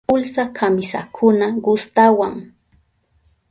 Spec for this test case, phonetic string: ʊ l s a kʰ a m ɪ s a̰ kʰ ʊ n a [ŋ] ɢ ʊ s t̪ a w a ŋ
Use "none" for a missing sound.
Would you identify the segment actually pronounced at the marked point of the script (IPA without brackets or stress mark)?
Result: none